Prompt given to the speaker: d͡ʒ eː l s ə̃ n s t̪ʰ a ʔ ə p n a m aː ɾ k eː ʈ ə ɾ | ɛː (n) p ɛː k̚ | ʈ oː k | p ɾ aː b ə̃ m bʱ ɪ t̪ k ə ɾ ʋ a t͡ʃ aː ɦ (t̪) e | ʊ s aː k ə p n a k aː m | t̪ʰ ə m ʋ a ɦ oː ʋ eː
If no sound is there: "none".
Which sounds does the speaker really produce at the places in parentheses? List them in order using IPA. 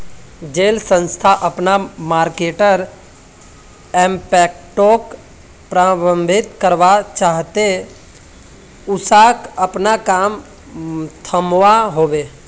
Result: m, t̪

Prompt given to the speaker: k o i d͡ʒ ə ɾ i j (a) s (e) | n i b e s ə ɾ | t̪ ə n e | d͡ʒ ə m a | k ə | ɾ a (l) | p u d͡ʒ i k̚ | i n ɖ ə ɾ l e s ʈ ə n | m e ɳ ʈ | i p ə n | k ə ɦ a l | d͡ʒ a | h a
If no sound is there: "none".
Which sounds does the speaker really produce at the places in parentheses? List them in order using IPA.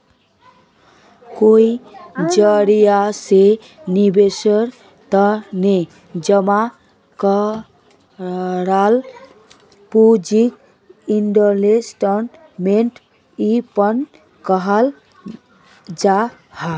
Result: a, e, l

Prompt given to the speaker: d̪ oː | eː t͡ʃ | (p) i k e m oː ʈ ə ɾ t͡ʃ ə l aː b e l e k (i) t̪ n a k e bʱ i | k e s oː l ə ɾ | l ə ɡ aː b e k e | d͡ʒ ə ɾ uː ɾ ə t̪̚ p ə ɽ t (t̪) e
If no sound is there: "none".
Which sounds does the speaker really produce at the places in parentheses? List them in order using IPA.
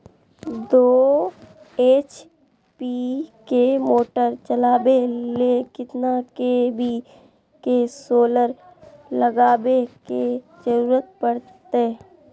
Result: p, ɪ, t̪

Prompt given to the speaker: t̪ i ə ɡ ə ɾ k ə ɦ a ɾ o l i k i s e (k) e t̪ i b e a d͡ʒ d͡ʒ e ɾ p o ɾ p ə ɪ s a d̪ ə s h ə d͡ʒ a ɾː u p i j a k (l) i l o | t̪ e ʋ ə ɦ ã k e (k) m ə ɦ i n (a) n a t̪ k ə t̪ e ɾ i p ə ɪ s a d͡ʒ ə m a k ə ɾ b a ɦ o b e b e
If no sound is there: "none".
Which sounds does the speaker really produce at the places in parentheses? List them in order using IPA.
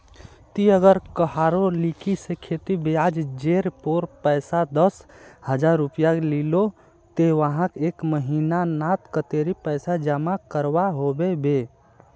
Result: kʰ, l, k, a

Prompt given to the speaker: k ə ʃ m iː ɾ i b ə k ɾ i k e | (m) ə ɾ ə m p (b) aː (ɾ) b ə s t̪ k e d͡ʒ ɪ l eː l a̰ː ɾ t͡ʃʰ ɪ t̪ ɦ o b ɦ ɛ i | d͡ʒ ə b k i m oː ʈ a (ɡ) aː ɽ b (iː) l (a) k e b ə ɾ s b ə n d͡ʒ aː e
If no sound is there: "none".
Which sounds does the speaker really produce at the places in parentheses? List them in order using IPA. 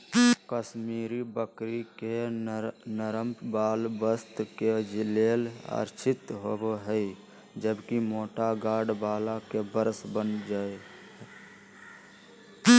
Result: n, b, l, ɡ, aː, a

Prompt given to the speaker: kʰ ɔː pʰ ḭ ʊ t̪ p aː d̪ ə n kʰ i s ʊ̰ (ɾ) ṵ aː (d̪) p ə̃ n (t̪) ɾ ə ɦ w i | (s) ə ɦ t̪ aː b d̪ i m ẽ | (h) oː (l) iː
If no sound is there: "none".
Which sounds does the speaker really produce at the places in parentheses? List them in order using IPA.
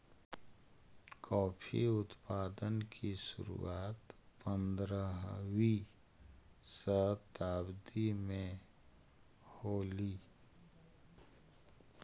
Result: ɾ, t̪, d̪, s, h, l

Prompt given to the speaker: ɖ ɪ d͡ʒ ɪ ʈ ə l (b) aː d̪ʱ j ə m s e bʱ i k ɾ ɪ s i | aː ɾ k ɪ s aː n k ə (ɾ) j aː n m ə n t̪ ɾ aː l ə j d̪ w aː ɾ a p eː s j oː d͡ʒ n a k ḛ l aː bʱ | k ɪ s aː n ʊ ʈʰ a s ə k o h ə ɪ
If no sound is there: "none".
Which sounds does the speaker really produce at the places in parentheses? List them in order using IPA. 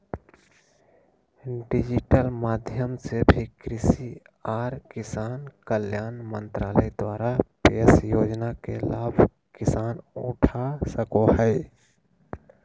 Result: m, l

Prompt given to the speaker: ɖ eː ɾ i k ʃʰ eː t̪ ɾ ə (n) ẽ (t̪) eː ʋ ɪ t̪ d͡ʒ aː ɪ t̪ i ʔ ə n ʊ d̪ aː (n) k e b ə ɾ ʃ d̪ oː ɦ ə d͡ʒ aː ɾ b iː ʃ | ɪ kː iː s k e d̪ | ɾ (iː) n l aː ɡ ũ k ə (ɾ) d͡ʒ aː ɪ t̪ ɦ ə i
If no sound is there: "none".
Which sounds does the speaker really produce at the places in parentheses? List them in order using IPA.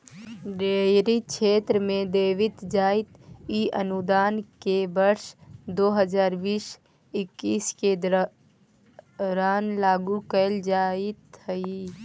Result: m, d̪, n, aː, l

